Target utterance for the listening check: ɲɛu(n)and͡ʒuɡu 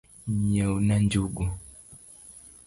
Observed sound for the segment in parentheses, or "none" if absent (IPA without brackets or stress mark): n